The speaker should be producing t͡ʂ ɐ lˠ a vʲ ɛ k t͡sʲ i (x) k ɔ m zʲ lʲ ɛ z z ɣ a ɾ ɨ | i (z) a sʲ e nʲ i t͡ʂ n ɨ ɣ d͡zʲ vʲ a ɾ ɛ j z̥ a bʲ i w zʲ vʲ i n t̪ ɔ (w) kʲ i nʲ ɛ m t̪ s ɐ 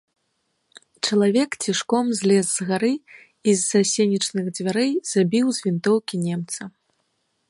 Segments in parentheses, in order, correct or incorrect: incorrect: ʂ, incorrect: zː, correct

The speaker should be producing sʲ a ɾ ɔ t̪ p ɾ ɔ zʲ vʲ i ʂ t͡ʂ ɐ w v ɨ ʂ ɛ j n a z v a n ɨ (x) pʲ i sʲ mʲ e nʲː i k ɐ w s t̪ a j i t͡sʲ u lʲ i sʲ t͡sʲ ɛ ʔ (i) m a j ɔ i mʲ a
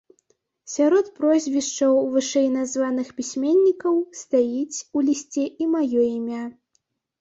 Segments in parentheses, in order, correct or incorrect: correct, correct

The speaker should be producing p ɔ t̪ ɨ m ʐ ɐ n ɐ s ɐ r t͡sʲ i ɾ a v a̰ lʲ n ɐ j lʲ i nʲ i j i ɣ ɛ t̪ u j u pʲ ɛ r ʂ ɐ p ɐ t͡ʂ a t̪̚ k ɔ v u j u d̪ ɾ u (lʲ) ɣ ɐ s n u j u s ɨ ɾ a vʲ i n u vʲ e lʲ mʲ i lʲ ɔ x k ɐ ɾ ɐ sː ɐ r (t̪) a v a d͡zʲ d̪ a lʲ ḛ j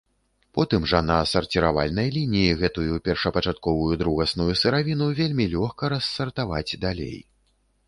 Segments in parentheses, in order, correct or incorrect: incorrect: none, correct

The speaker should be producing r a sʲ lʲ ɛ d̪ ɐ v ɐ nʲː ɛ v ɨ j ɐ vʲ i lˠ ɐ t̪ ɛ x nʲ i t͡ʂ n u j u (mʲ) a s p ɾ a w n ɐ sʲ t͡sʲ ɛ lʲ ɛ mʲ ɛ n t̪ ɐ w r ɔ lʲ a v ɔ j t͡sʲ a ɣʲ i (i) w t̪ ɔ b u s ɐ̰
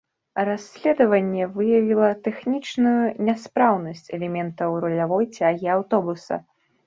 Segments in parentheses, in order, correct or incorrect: incorrect: nʲ, incorrect: a

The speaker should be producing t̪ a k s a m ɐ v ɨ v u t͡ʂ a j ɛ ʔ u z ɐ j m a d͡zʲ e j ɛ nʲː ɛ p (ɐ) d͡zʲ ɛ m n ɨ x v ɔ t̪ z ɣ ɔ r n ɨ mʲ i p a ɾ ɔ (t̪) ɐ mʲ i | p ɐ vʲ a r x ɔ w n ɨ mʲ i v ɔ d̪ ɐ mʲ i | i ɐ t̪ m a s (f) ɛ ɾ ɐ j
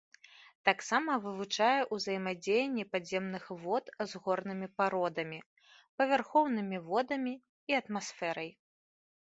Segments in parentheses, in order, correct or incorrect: incorrect: a, incorrect: d̪, correct

